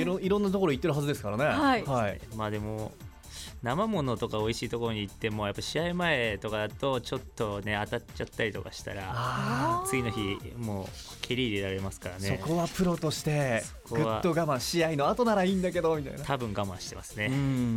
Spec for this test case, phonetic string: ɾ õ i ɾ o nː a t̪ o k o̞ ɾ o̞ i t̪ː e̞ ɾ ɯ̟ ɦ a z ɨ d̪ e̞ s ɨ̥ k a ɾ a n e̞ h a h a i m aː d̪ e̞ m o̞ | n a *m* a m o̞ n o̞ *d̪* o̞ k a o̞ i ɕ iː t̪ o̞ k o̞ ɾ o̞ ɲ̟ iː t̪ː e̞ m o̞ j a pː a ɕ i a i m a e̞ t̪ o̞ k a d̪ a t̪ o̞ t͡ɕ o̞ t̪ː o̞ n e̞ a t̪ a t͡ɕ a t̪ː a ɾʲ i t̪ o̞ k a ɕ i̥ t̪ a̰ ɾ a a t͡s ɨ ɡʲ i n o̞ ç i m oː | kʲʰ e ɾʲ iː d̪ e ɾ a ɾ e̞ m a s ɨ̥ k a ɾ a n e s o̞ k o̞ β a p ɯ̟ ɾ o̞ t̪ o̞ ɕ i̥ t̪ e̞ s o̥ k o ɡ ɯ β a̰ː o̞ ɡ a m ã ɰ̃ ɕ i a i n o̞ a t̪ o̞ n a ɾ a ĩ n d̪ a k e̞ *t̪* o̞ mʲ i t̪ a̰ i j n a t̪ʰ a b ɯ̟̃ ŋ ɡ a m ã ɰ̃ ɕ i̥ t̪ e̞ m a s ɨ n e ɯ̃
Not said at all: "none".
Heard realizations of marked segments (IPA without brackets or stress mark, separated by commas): m, t̪, d̪